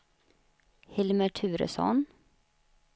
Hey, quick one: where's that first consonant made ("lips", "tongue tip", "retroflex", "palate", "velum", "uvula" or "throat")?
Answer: throat